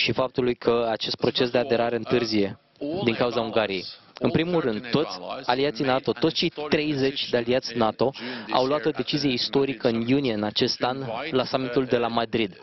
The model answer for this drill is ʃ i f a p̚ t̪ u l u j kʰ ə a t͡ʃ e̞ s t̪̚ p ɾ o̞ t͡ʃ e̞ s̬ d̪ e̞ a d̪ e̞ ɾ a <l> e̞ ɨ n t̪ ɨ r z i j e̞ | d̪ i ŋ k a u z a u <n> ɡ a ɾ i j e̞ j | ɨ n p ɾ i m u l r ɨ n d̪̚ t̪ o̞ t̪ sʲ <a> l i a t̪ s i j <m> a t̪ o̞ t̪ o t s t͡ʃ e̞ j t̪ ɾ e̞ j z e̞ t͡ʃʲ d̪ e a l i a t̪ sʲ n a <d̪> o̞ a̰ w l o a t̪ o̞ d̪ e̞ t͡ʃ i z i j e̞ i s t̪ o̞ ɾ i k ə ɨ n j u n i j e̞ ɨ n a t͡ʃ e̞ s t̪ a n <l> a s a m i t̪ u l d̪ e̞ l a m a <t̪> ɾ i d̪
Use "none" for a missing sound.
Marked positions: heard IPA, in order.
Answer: ɾ, ŋ, a, n, t̪, l, d̪

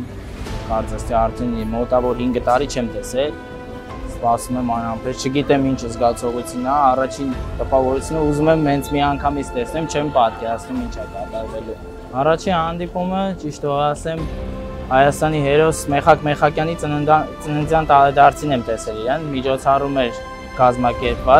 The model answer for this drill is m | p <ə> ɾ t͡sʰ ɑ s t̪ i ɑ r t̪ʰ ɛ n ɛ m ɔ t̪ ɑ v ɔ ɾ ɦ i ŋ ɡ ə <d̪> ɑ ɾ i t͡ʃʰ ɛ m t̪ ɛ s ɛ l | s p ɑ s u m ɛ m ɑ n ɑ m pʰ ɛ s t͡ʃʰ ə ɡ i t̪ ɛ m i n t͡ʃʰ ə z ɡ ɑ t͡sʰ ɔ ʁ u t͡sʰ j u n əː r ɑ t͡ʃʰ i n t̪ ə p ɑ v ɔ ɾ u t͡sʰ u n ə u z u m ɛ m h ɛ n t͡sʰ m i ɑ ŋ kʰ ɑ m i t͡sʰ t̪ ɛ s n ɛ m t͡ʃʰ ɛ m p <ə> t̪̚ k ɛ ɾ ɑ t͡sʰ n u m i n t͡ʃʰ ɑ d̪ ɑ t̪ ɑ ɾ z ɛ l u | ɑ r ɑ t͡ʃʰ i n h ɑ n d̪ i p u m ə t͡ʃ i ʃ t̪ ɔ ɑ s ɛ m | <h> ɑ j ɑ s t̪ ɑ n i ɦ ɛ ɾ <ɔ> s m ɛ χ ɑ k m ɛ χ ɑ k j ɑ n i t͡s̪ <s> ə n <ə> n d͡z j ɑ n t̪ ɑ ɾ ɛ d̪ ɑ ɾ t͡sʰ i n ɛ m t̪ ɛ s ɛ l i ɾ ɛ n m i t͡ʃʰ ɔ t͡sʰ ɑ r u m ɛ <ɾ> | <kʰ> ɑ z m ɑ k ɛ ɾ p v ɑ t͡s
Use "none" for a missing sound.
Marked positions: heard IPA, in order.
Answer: ɑ, t̪, ɑ, h, ɔ, t͡s, ə, ɾ, k

